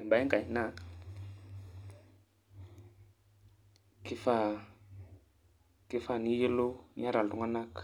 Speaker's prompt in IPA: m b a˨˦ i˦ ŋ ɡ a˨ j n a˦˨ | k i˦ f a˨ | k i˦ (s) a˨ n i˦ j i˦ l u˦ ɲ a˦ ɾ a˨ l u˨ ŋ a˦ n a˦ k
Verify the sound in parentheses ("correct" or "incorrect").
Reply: incorrect